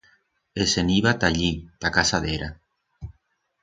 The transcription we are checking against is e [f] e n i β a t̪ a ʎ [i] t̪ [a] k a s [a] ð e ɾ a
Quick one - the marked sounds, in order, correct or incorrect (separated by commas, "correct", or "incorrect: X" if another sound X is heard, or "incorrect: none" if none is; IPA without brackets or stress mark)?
incorrect: s, correct, correct, correct